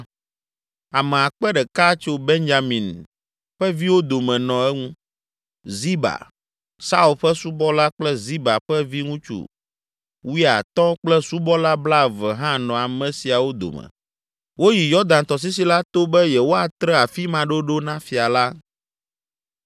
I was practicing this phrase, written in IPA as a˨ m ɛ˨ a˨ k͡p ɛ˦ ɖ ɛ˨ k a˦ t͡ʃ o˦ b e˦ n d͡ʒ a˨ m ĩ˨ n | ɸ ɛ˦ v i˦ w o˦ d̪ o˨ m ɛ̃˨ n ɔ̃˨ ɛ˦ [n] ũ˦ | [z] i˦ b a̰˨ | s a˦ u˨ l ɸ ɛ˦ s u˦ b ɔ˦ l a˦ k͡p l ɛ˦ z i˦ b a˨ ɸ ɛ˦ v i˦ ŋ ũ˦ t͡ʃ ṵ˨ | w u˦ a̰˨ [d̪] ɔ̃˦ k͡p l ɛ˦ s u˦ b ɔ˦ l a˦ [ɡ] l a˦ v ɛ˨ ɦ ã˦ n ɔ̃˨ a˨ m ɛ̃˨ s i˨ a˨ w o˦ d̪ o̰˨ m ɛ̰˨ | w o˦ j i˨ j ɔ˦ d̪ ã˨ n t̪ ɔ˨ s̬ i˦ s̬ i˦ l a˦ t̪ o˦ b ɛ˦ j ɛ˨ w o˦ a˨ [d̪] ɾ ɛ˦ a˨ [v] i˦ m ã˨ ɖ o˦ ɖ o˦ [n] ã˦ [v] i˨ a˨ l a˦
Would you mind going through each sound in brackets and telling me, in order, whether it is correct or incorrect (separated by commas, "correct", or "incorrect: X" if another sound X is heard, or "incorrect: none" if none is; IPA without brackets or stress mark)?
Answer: incorrect: ŋ, correct, incorrect: t̪, incorrect: b, incorrect: t̪, incorrect: f, correct, incorrect: f